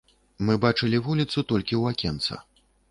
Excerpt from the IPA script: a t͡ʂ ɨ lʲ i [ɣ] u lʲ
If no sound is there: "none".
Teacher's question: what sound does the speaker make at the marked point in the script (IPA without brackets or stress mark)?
v